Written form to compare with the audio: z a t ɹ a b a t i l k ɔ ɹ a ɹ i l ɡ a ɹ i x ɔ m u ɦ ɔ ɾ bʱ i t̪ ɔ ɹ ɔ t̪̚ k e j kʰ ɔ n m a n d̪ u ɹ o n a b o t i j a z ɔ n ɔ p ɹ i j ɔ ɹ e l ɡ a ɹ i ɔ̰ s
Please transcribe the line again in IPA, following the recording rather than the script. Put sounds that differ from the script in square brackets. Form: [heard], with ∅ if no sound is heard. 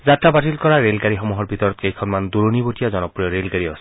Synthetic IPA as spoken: z a t ɹ a b a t i l k ɔ ɹ a ɹ [e] l ɡ a ɹ i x ɔ m u ɦ ɔ [ɹ] bʱ i t̪ ɔ ɹ ɔ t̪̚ k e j kʰ ɔ n m a n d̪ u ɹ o n [i] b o t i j a z ɔ n ɔ p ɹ i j ɔ ɹ e l ɡ a ɹ i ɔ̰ s

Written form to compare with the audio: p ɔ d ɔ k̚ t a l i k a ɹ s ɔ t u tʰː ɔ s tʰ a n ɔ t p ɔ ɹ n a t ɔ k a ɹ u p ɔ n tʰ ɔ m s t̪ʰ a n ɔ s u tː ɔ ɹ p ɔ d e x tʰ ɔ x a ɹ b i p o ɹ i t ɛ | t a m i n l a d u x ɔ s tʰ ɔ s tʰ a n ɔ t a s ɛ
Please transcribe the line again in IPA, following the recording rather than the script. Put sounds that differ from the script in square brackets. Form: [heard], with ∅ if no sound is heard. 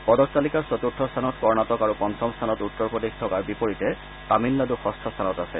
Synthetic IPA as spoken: p ɔ d ɔ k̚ t a l i k a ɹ s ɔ t u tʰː ɔ s tʰ a n ɔ t [k] ɔ ɹ n a t ɔ k a ɹ u p ɔ n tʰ ɔ m s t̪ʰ a n ɔ [t] u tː ɔ ɹ p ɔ d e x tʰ ɔ [k] a ɹ b i p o ɹ i t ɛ | t a m i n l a d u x ɔ s tʰ ɔ s tʰ a n ɔ t a s ɛ

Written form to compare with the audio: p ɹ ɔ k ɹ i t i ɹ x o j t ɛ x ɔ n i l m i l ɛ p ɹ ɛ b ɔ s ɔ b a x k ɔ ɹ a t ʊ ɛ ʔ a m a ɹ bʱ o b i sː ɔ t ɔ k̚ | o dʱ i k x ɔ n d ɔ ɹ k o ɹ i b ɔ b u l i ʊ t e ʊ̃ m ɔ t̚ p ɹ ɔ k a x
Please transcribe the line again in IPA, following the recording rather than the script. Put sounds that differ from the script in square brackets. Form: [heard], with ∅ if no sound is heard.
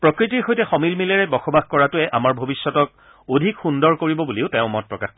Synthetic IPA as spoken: p ɹ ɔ k ɹ i t i ɹ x o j t ɛ x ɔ [m] i l m i l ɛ [∅] ɹ ɛ b ɔ [x] ɔ b a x k ɔ ɹ a t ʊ ɛ ʔ a m a ɹ bʱ o b i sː ɔ t ɔ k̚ | o dʱ i k x [u] n d ɔ ɹ k o ɹ i b ɔ b u l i ʊ t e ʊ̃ m ɔ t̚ p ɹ ɔ k a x

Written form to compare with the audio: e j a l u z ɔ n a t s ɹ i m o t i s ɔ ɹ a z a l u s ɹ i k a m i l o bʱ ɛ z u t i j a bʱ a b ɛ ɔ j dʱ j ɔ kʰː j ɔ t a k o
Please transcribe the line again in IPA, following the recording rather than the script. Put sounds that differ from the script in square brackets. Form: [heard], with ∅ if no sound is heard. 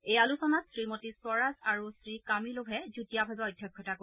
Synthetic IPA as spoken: e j a l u [s] ɔ n a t s ɹ i m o t i s ɔ ɹ a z a [ɹ] u s ɹ i k a m i l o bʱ ɛ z u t i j a bʱ a b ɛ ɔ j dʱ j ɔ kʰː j ɔ t a k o

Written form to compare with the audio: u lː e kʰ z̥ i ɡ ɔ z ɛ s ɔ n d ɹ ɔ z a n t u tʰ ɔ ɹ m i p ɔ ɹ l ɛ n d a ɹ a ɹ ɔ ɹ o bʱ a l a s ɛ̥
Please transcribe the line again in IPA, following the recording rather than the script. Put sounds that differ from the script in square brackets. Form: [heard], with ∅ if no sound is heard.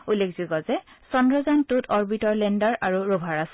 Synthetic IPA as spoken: u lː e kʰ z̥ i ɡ ɔ z ɛ s ɔ n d ɹ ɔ z a n t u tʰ ɔ ɹ [b] i [t] ɔ ɹ l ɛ n d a ɹ a ɹ [u] ɹ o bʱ a [ɹ] a s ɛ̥

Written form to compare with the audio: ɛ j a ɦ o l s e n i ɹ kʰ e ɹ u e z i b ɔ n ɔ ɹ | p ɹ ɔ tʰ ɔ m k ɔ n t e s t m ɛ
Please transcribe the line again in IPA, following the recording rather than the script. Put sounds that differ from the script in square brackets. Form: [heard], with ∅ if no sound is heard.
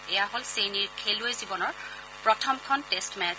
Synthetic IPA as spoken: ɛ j a ɦ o l s e n i ɹ kʰ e [l] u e z i b ɔ n ɔ ɹ | p ɹ ɔ tʰ ɔ m [kʰ] ɔ n t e s t m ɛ

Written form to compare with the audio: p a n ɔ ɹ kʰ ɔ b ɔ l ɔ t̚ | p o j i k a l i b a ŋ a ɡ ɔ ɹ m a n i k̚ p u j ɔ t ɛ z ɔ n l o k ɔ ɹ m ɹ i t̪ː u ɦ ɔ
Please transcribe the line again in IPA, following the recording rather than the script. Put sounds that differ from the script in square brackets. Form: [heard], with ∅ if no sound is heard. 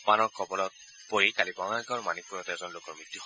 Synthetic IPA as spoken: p a n ɔ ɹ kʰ ɔ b ɔ l ɔ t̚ | p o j i k a l i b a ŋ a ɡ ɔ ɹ m a n i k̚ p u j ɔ t ɛ z ɔ n l o k ɔ ɹ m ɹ i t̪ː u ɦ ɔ

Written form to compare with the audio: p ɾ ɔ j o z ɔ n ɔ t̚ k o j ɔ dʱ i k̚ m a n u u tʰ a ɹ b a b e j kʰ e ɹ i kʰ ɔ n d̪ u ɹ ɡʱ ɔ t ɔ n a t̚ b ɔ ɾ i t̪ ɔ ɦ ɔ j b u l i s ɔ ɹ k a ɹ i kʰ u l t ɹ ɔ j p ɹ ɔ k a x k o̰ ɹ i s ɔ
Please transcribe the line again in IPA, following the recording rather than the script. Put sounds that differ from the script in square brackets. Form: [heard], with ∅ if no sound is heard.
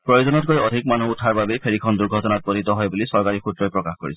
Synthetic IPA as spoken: p [ɹ] ɔ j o z ɔ n ɔ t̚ k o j ɔ dʱ i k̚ m a n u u tʰ a ɹ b a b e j [pʰ] e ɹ i kʰ ɔ n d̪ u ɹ ɡʱ ɔ t ɔ n a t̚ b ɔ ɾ i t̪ ɔ ɦ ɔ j b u l i s ɔ ɹ k a ɹ i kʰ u [∅] t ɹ ɔ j p ɹ ɔ k a x k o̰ ɹ i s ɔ

